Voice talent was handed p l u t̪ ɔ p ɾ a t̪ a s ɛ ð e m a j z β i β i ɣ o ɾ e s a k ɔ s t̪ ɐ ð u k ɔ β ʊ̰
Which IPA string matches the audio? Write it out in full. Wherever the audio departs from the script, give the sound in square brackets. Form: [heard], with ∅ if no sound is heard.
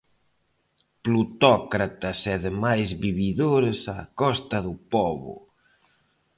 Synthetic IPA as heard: p l u t̪ ɔ [k] ɾ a t̪ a s ɛ ð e m a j z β i β i [ð] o ɾ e s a k ɔ s t̪ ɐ ð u [p] ɔ β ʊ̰